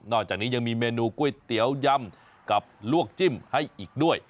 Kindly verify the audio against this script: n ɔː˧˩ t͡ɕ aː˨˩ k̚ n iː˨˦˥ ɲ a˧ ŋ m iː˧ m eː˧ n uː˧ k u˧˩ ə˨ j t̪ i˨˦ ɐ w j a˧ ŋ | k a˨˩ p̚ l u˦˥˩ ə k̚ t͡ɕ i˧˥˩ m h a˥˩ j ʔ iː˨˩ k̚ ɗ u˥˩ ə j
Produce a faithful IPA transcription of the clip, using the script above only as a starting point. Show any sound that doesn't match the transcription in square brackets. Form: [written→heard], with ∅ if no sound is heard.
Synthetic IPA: n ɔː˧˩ t͡ɕ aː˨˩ k̚ n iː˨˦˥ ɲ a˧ ŋ m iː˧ m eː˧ n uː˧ k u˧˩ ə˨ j t̪ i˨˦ [ɐ→ə] w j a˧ [ŋ→m] | k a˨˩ p̚ l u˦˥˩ ə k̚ t͡ɕ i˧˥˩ m h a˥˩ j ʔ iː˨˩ k̚ ɗ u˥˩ ə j